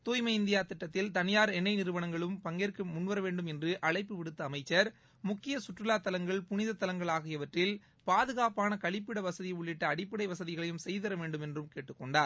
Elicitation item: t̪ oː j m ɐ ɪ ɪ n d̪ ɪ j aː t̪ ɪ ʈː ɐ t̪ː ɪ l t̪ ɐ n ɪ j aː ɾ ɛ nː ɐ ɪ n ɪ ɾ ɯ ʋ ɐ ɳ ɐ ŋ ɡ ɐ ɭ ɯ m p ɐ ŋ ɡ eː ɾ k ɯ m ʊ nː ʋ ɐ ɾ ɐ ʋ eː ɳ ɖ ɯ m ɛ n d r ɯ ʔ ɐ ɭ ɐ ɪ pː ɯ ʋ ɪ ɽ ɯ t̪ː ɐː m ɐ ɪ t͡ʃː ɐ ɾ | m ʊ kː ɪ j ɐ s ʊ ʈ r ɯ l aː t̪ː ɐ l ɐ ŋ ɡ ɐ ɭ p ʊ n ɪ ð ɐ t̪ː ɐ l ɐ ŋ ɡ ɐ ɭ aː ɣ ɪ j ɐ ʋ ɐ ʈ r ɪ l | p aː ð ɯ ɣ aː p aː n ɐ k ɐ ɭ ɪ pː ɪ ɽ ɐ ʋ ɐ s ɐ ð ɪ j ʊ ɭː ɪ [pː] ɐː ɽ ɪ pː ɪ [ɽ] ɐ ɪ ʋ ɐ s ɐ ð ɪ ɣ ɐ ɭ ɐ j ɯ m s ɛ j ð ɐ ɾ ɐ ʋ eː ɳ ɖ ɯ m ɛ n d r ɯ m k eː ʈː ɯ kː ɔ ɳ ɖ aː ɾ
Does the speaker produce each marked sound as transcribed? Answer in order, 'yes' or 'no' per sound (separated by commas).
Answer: no, yes